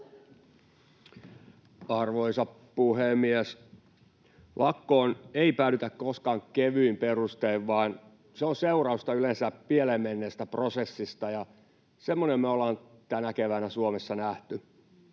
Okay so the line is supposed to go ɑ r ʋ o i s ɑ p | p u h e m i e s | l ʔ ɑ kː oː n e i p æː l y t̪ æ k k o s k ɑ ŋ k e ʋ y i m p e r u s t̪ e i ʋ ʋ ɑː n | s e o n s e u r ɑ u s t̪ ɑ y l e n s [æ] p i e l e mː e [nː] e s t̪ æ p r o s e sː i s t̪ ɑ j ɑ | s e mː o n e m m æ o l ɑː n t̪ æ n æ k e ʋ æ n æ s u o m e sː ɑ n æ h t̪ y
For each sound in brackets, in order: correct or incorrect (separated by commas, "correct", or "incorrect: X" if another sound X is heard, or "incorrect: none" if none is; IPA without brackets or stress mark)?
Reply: correct, correct